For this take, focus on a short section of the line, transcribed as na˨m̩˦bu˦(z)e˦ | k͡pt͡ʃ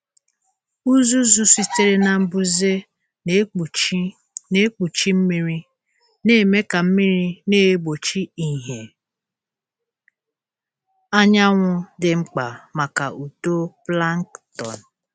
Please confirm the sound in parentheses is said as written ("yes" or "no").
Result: yes